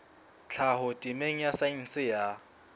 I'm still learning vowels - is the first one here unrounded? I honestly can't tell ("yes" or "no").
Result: yes